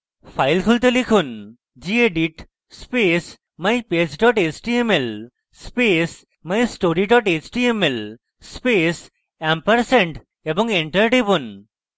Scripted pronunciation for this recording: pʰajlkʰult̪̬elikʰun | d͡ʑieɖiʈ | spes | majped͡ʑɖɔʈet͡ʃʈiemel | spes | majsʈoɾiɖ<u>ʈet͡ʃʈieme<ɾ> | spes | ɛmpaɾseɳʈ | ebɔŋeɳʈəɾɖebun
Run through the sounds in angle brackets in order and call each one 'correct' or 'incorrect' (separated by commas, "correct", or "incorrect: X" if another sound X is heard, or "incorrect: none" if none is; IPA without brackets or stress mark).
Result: incorrect: ɔ, incorrect: l